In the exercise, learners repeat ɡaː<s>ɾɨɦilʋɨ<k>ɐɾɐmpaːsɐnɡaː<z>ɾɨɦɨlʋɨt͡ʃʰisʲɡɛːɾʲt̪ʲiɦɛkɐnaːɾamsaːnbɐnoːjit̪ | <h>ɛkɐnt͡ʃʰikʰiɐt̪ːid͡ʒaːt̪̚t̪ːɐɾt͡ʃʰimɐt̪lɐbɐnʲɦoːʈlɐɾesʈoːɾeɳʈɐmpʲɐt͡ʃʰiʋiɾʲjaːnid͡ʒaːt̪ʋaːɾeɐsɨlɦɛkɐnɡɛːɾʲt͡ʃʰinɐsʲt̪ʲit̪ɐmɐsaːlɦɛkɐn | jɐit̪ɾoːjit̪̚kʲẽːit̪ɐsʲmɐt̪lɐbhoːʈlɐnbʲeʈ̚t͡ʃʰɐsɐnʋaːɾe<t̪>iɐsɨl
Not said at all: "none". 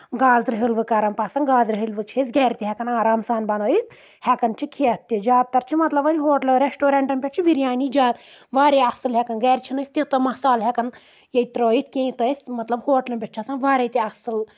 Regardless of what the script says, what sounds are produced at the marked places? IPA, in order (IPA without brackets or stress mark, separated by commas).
z, k, z, h, t̪